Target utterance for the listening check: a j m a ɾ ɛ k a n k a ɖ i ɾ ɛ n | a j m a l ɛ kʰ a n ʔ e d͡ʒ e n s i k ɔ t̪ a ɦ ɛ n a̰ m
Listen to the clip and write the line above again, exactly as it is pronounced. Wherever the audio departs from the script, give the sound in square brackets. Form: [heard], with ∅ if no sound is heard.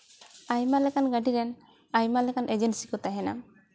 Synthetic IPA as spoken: a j m a [l] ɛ k a n [ɡ] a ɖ i ɾ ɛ n | a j m a l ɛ [k] a n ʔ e d͡ʒ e n s i k ɔ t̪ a ɦ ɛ n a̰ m